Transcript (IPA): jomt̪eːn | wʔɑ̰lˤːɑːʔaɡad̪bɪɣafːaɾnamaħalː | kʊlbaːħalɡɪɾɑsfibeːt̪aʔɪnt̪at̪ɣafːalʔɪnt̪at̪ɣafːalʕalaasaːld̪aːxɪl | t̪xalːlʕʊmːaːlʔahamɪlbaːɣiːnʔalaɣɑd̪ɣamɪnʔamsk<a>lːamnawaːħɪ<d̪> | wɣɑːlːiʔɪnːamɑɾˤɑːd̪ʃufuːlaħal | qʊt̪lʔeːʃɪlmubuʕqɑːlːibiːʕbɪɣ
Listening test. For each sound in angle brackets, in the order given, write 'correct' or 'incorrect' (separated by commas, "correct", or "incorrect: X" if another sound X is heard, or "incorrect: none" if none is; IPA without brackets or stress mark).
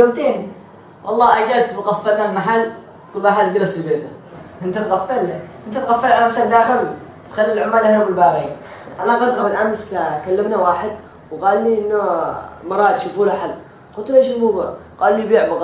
correct, correct